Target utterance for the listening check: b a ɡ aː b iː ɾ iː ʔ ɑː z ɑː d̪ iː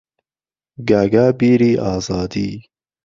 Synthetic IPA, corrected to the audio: ɡ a ɡ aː b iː ɾ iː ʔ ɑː z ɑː d̪ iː